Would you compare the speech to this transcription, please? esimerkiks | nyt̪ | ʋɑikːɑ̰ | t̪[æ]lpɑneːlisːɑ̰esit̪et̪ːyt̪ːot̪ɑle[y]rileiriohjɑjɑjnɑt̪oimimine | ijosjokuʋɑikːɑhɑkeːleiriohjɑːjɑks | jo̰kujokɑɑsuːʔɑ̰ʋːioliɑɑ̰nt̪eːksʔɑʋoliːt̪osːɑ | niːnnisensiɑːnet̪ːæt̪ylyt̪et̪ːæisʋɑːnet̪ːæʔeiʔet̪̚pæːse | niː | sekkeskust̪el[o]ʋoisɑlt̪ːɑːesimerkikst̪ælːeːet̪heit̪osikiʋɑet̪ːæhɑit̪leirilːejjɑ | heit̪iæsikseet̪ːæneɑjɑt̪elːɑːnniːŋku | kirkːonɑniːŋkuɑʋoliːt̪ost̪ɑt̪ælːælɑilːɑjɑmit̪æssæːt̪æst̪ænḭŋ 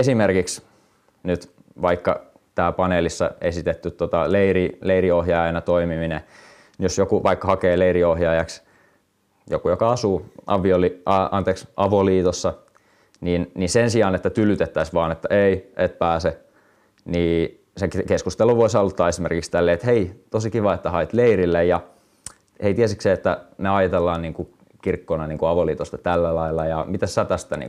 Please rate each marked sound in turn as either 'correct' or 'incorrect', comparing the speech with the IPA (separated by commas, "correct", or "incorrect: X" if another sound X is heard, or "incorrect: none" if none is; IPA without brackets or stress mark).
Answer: incorrect: æː, incorrect: i, incorrect: u